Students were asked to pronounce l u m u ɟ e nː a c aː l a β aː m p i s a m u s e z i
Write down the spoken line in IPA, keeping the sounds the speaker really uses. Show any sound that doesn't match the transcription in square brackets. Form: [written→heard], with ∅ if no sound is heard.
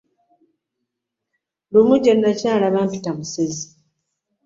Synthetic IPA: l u m u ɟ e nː a c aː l a β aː m p i [s→t] a m u s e z i